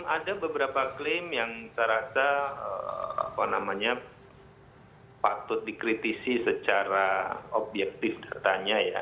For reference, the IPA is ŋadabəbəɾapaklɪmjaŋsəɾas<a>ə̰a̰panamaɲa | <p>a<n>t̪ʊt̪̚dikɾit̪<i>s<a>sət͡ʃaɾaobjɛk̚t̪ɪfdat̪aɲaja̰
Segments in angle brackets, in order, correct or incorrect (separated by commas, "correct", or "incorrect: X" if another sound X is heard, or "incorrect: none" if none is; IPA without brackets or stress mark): correct, correct, incorrect: none, correct, incorrect: i